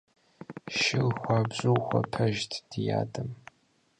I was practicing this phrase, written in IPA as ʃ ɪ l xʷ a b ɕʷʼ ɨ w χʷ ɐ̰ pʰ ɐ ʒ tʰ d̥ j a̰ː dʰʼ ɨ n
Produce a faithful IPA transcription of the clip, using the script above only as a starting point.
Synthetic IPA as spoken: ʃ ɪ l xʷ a b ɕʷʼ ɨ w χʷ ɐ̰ pʰ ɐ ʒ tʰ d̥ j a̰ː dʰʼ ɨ m